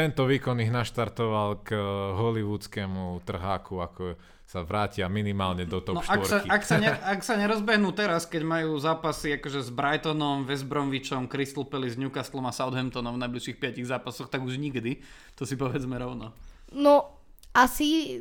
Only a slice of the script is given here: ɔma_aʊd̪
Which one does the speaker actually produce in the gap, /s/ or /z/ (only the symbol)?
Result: s